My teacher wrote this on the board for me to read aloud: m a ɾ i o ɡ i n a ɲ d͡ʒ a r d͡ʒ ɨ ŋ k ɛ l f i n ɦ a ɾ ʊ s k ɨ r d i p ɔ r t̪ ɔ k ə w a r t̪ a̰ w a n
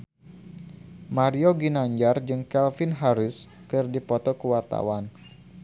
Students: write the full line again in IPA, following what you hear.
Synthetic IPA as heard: m a ɾ i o ɡ i n a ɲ d͡ʒ a r d͡ʒ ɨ ŋ k ɛ l f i n ɦ a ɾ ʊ s k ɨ r d i p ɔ t̪ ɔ k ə w a r t̪ a̰ w a n